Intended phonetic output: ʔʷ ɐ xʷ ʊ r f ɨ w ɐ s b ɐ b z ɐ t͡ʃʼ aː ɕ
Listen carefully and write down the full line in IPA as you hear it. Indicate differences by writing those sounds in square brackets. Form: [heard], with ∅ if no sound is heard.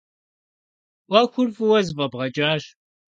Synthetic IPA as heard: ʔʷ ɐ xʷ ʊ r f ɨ w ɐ [z] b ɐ b [ʁ] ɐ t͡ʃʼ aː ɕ